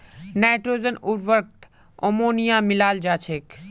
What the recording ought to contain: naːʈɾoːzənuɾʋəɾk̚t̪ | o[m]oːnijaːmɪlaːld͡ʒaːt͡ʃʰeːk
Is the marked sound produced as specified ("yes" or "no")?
yes